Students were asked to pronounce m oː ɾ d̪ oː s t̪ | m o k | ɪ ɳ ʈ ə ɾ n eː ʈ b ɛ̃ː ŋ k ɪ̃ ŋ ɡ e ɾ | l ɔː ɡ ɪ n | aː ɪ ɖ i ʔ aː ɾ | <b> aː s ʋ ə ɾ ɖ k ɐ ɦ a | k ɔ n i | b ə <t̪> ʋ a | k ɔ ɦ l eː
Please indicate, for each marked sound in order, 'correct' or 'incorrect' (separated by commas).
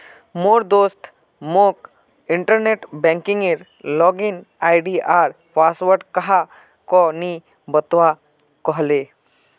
incorrect, correct